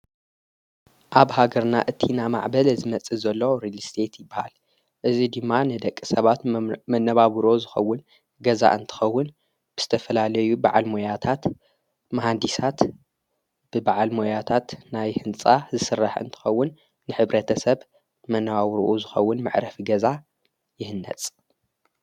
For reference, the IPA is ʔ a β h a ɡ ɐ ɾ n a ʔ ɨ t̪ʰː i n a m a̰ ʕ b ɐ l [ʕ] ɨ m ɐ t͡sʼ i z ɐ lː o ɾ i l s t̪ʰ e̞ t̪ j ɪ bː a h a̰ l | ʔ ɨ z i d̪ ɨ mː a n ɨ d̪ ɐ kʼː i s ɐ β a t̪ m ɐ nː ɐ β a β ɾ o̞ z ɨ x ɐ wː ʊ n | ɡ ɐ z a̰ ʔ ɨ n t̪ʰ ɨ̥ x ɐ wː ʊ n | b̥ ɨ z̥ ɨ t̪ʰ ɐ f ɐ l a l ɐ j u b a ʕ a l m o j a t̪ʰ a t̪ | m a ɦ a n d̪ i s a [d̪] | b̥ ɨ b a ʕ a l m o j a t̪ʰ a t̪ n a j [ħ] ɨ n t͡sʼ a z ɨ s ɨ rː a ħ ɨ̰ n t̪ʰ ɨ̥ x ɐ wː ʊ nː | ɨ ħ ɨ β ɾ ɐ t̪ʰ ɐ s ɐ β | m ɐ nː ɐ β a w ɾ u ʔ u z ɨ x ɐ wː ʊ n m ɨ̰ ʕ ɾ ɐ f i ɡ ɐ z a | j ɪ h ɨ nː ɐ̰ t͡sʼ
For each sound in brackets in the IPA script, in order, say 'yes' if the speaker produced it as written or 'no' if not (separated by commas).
no, no, no